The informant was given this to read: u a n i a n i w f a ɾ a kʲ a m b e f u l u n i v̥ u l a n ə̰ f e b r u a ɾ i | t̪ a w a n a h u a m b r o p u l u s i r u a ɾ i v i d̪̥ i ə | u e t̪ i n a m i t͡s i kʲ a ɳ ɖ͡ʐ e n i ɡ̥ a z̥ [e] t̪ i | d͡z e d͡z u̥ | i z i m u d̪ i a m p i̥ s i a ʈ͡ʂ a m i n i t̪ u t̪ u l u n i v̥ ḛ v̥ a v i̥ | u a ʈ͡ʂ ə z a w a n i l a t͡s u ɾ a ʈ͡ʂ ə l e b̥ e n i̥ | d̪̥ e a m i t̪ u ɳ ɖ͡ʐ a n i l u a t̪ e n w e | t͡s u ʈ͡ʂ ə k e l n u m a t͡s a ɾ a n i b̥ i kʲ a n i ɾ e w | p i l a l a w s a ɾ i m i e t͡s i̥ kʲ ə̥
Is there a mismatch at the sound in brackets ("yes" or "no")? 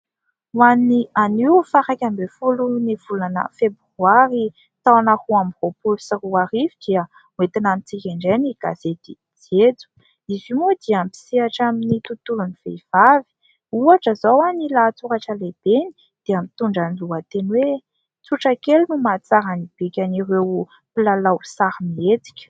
no